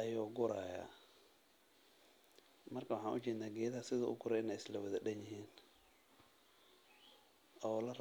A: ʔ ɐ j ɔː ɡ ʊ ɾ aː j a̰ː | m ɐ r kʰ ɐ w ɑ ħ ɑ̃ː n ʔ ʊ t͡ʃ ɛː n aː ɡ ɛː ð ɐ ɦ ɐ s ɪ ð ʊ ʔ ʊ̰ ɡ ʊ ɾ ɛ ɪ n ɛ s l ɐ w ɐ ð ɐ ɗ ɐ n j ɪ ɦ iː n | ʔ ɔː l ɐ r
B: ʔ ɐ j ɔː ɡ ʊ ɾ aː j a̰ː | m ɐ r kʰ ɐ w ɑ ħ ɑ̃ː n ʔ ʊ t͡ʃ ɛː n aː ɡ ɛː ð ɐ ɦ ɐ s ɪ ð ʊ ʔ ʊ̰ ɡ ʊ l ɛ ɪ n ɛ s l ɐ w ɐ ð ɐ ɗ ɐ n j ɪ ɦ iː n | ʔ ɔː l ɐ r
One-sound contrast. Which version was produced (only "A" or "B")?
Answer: A